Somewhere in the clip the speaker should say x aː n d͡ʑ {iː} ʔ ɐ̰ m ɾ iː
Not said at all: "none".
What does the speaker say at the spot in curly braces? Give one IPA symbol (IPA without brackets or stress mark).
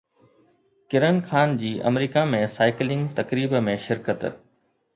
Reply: iː